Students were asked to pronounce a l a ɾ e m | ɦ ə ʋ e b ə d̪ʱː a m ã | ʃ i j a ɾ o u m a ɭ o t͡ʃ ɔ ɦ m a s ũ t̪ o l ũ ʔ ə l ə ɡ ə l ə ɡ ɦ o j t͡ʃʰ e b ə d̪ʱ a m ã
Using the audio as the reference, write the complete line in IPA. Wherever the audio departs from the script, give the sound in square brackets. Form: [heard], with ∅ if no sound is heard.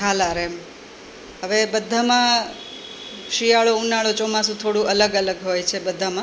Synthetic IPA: a l a ɾ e m | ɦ ə ʋ e b ə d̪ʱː a m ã | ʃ i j a [ɭ] o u [n] a ɭ o t͡ʃ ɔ [∅] m a s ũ [t̪ʰ] o [ɽ] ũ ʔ ə l ə ɡ ə l ə ɡ ɦ o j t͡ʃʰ e b ə d̪ʱ a m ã